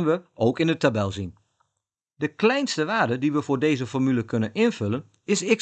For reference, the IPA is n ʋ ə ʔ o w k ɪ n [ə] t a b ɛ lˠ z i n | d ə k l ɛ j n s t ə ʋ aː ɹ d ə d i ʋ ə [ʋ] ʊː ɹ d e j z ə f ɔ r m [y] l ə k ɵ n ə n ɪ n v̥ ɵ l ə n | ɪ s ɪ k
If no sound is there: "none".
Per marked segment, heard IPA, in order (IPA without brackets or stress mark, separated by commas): ə, v, y